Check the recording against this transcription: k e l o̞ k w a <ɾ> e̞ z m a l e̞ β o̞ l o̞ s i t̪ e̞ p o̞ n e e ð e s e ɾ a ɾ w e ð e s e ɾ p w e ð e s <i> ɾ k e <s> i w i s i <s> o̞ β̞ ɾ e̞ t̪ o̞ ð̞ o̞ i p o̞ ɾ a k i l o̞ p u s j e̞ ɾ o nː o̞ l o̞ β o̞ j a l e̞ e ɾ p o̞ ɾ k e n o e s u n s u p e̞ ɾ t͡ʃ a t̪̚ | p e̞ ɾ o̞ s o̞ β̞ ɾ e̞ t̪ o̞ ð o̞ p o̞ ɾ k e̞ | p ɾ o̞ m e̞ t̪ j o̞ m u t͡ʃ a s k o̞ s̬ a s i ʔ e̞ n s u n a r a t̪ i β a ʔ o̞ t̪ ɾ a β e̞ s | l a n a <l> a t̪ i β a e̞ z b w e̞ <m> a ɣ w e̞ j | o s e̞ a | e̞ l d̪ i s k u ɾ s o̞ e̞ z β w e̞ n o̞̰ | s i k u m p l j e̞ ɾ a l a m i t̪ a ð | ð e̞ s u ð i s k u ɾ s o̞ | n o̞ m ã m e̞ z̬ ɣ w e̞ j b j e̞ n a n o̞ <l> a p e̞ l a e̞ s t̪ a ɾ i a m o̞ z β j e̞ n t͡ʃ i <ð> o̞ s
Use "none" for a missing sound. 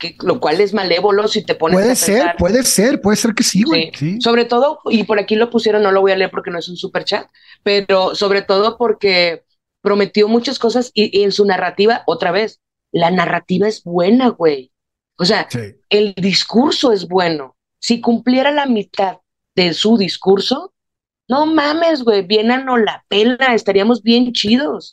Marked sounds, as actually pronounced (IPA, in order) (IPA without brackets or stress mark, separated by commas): l, e, s, s, r, n, l, ð